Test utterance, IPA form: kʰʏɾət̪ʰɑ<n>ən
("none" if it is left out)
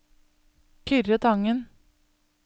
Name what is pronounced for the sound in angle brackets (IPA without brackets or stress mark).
ŋ